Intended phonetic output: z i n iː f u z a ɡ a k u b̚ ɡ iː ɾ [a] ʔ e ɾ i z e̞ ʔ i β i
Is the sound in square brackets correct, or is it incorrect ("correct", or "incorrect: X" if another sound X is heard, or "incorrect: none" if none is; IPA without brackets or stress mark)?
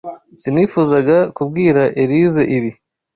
correct